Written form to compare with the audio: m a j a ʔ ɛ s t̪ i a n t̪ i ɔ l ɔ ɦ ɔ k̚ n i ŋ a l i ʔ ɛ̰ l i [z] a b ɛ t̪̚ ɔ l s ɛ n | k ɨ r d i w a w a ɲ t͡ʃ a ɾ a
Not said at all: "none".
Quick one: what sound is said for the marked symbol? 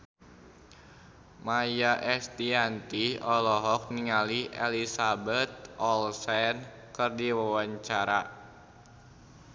s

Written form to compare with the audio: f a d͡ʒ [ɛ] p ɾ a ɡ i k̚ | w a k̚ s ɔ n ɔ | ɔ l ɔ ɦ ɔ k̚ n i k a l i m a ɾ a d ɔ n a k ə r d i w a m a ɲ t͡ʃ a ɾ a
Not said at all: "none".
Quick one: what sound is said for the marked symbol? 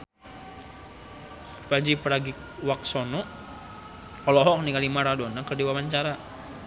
i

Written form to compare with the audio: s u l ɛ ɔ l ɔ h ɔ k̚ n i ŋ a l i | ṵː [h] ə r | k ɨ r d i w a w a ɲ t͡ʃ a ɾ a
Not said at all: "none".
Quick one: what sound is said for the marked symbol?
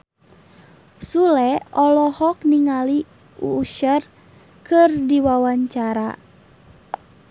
ʃ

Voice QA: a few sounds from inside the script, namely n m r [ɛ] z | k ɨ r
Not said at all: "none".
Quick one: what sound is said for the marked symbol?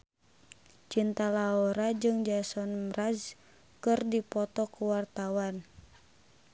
a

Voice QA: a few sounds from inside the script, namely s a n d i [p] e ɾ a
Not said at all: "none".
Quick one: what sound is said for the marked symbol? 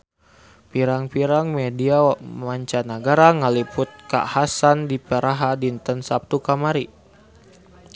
p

